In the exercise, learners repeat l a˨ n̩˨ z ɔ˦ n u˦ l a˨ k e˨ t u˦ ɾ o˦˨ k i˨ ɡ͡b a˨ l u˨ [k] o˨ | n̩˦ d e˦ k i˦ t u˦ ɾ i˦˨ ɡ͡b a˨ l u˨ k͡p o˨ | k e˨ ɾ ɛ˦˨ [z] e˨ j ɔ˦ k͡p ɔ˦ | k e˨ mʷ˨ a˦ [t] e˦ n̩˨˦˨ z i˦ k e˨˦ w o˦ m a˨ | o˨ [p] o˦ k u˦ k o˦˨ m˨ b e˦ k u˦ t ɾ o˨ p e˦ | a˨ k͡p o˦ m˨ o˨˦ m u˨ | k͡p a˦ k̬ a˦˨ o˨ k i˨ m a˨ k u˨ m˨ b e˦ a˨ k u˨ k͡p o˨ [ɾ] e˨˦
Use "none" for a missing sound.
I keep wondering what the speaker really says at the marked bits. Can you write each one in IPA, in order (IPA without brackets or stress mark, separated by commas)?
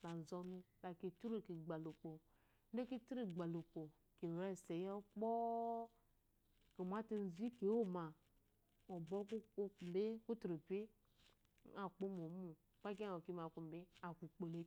k͡p, s, t, b, l